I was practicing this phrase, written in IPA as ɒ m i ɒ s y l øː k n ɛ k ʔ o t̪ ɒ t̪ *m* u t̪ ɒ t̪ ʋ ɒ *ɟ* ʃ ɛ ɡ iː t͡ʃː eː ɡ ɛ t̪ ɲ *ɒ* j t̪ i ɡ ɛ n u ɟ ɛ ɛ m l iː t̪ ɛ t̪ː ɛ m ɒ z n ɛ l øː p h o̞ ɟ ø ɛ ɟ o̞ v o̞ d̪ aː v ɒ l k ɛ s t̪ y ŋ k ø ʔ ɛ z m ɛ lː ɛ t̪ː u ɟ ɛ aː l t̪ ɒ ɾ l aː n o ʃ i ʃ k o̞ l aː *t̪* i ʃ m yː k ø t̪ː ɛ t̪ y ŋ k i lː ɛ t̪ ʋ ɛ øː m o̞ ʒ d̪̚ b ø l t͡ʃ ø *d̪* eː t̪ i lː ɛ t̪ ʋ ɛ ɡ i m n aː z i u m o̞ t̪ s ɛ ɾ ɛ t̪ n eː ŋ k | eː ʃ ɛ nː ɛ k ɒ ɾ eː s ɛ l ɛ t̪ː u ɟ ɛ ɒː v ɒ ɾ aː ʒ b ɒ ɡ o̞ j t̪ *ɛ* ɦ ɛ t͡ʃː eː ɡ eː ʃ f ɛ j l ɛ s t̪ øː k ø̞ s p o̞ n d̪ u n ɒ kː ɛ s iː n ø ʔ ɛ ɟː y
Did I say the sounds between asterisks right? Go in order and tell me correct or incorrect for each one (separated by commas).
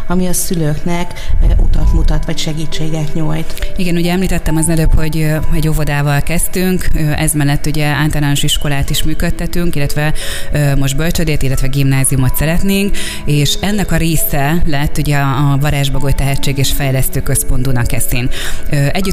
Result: correct, incorrect, incorrect, correct, correct, correct